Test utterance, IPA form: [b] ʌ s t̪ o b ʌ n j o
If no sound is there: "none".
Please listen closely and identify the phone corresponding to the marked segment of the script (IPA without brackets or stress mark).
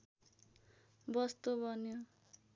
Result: b